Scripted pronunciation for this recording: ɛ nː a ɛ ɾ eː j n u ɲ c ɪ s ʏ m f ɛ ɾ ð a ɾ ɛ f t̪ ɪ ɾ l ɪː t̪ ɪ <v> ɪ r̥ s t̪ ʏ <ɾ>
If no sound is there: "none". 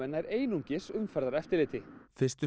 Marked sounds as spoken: f, none

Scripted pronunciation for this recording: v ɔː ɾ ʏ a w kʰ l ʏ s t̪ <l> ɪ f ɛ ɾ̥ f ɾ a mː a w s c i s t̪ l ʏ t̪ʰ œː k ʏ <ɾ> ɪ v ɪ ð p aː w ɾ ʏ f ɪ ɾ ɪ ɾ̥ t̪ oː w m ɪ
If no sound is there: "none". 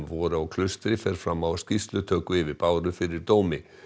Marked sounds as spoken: ɾ, none

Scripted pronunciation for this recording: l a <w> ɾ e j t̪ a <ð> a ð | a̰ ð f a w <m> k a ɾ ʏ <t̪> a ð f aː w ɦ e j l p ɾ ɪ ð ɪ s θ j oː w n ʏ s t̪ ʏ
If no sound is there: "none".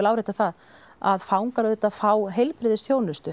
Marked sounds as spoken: w, θ, ŋ, t̪

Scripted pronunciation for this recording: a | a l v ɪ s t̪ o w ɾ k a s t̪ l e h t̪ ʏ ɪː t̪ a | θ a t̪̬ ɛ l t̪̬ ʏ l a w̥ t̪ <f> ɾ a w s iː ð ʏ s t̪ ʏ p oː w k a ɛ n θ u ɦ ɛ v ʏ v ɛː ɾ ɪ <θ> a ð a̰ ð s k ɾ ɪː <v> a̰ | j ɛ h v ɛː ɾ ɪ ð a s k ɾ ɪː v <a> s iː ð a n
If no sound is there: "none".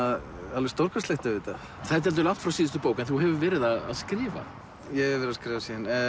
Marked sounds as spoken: f, ð, v, a

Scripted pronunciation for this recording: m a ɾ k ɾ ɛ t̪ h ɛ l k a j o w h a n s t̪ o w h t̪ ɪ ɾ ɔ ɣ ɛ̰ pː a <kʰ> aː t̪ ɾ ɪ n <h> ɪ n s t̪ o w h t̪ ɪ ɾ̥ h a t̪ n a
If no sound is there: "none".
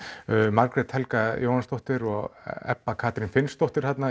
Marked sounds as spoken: kʰ, f

